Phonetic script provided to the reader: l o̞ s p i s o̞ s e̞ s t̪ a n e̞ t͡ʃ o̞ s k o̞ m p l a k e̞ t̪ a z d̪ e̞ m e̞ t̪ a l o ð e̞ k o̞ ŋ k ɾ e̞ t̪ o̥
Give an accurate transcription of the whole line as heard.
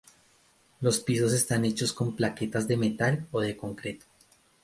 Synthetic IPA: l o̞ s p i s o̞ s e̞ s t̪ a n e̞ t͡ʃ o̞ s k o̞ m p l a k e̞ t̪ a z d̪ e̞ m e̞ t̪ a l o ð e̞ k o̞ ŋ k ɾ e̞ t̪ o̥